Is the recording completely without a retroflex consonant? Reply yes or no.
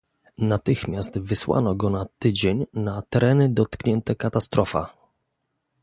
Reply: yes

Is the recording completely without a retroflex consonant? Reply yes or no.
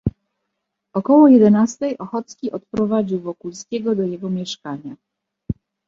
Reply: no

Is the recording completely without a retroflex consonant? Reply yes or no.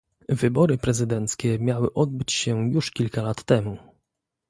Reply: no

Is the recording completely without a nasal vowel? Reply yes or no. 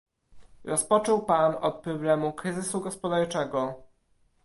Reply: yes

